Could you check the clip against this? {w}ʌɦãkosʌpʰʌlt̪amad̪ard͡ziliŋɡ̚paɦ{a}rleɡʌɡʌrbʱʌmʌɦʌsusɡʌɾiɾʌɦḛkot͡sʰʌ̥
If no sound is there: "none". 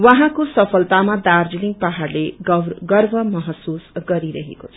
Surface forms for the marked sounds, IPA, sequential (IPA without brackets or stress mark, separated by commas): w, a